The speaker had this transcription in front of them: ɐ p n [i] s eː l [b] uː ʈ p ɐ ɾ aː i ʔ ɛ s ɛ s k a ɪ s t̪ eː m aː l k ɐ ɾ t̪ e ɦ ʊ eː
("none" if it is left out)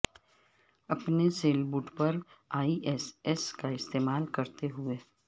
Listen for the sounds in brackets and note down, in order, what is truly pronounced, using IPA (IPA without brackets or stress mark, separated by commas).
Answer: e, b